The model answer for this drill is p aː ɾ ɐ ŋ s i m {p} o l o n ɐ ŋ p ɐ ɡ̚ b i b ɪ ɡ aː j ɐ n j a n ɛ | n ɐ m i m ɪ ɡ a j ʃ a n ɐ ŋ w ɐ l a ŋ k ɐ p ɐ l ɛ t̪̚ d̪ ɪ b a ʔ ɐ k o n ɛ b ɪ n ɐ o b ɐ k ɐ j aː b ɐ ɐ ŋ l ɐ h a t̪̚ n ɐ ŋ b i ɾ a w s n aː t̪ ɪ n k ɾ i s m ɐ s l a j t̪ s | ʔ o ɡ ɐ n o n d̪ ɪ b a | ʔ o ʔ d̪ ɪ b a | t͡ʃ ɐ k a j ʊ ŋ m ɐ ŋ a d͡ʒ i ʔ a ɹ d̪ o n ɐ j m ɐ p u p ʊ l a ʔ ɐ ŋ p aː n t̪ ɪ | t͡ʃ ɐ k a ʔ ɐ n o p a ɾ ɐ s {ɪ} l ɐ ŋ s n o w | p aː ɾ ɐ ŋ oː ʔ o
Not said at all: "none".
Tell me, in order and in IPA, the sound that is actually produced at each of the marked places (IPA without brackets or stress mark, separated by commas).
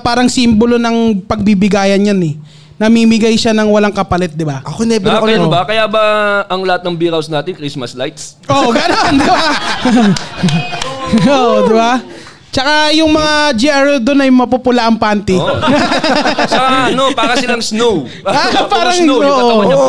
b, ɪ